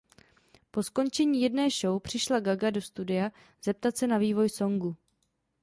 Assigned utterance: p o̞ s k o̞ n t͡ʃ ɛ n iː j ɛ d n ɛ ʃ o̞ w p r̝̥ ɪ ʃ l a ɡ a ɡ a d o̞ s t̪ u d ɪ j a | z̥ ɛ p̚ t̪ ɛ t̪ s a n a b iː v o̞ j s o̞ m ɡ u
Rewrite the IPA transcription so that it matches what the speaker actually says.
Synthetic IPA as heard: p o̞ s k o̞ n t͡ʃ ɛ ɲ iː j ɛ d n ɛː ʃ o̞ w p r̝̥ ɪ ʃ l a ɡ a ɡ a d o̞ s t̪ u d ɪ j a | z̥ ɛ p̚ t̪ a t̪ s ɛ n a v iː v o̞ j s o̞ ŋ ɡ u